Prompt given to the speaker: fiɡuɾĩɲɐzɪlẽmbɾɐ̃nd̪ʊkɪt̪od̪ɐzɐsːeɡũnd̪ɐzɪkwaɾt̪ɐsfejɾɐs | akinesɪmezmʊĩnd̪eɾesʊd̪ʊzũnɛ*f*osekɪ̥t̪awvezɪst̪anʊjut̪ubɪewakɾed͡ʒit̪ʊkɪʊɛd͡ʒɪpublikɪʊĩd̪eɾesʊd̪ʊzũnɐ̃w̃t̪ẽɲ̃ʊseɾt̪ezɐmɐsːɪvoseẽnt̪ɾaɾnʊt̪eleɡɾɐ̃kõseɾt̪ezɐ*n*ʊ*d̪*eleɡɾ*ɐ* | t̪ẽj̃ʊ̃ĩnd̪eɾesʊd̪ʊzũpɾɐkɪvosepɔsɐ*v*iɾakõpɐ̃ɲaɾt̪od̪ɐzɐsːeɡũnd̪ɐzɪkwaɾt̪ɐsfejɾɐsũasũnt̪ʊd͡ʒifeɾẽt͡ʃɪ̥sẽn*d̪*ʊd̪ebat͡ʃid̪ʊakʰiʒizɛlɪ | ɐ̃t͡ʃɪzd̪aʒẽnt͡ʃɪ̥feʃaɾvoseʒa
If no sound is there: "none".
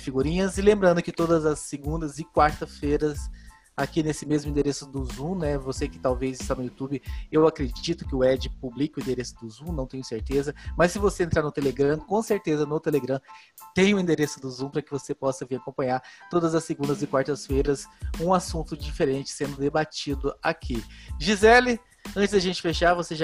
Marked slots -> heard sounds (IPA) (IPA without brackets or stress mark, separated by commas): v, n, t̪, ɐ̃, v, d̪